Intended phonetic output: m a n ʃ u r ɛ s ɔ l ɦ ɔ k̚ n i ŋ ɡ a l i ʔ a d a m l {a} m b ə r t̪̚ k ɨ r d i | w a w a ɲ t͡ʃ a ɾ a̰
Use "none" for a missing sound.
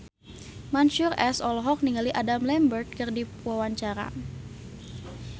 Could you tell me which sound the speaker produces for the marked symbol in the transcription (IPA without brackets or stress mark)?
ɛ